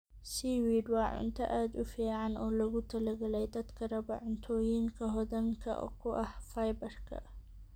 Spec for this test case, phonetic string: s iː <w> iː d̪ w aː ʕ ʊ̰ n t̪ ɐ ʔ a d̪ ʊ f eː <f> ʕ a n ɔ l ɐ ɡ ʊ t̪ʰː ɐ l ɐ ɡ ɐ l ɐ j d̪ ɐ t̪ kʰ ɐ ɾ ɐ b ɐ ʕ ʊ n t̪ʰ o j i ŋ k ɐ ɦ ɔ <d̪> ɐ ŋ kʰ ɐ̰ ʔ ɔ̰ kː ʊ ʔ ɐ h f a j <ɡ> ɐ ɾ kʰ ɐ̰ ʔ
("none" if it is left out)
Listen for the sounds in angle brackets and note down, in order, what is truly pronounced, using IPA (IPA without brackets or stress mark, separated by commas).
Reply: w, none, d̪, b